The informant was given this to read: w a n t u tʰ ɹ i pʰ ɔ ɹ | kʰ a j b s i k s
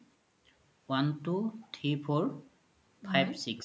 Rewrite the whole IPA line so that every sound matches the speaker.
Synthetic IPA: w a n t u tʰ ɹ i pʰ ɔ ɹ | pʰ a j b s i k s